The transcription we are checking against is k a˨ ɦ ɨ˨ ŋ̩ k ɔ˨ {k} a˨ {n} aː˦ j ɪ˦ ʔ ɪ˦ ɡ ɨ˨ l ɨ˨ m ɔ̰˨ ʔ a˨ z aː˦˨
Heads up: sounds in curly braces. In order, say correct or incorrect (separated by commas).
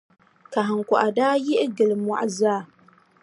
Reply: incorrect, incorrect